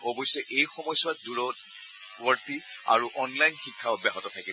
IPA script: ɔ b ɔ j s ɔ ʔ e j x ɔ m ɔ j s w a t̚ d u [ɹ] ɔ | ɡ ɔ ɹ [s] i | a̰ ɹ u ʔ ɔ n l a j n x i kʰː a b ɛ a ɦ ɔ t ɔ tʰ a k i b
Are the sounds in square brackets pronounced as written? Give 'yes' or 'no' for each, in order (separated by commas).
yes, no